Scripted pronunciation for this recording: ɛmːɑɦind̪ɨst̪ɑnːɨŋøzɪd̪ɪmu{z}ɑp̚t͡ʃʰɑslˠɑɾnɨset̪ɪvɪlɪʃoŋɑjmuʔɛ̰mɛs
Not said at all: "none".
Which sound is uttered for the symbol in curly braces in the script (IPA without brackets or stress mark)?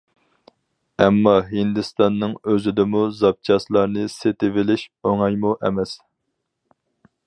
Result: z